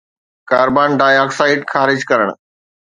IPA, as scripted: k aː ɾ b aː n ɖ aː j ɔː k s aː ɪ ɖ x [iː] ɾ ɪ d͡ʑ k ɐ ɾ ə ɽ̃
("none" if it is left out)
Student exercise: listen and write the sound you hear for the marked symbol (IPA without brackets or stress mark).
aː